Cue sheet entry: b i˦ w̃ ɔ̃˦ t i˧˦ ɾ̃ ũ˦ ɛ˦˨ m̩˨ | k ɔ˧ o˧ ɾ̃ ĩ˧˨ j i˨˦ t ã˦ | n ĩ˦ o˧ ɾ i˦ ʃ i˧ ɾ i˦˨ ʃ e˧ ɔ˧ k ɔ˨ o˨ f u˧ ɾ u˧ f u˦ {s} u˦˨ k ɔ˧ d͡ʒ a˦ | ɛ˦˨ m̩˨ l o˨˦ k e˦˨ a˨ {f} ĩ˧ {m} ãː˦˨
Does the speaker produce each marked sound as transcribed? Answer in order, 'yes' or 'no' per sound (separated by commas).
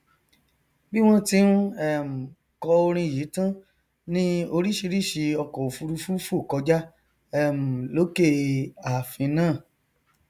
no, yes, no